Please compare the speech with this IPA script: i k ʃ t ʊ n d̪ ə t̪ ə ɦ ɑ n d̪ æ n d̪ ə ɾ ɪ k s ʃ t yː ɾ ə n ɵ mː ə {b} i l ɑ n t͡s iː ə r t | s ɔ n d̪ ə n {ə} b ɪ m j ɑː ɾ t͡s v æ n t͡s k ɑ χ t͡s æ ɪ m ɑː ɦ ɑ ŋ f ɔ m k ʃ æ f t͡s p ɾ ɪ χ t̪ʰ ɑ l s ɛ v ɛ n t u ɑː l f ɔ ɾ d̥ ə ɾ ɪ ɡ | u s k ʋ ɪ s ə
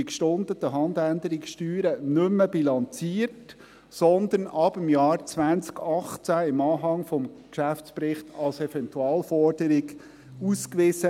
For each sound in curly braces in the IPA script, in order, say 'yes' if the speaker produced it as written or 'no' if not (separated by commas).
yes, no